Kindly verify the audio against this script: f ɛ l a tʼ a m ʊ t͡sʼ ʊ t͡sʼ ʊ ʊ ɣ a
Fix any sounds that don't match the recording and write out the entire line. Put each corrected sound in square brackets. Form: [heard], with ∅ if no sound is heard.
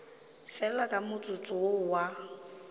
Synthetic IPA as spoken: f ɛ l a [kʼ] a m ʊ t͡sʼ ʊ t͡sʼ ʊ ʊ [w] a